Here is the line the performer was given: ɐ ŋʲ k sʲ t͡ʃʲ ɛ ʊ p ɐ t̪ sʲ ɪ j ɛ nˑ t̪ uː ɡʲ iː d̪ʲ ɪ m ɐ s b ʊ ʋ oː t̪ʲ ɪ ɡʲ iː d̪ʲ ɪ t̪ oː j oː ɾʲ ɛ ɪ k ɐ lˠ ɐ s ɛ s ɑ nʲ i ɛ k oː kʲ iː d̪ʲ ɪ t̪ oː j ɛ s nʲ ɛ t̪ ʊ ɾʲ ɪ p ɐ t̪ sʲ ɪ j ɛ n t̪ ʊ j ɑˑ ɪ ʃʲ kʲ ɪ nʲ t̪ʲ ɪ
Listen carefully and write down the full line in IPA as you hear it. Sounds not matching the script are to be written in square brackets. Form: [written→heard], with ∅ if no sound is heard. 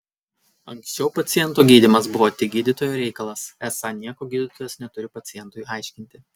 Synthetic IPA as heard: ɐ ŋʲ k sʲ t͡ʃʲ ɛ ʊ p ɐ t̪ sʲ ɪ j ɛ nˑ t̪ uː ɡʲ iː d̪ʲ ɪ m ɐ s b ʊ ʋ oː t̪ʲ ɪ ɡʲ iː d̪ʲ ɪ t̪ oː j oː ɾʲ ɛ ɪ k ɐ lˠ ɐ s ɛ s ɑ nʲ i ɛ k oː [kʲ→ɡʲ] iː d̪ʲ ɪ t̪ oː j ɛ s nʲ ɛ t̪ ʊ ɾʲ ɪ p ɐ t̪ sʲ ɪ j ɛ n t̪ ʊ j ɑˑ ɪ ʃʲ kʲ ɪ nʲ t̪ʲ ɪ